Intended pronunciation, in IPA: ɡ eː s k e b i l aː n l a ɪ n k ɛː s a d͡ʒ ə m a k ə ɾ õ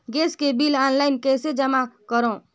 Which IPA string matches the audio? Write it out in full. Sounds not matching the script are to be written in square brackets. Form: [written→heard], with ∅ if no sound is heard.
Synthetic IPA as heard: ɡ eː s k e b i l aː n l a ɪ n k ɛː s [a→e] d͡ʒ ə m a k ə ɾ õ